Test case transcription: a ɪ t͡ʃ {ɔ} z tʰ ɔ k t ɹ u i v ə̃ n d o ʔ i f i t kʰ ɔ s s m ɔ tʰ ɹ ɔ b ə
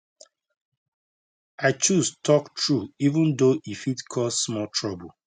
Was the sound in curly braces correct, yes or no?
no